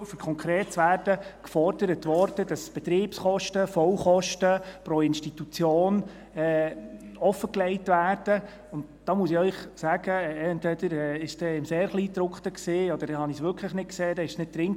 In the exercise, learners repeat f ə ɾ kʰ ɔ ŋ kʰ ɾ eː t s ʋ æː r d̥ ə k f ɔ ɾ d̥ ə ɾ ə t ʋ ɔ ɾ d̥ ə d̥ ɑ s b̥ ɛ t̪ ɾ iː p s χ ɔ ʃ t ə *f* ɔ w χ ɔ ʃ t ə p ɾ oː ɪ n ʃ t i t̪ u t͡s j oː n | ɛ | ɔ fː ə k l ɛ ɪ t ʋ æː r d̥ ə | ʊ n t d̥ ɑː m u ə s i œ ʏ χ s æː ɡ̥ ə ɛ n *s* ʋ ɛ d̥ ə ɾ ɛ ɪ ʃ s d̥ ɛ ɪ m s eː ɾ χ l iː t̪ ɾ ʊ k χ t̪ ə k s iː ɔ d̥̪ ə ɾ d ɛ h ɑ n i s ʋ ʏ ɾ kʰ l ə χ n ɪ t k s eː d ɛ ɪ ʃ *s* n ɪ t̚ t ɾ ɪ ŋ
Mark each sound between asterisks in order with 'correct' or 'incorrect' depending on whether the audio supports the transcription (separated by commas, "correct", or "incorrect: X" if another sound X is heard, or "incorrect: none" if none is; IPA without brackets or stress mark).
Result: correct, incorrect: t, correct